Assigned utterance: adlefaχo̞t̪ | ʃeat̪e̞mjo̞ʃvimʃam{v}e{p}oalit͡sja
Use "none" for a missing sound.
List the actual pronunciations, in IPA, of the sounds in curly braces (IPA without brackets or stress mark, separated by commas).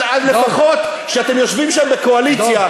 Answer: b, k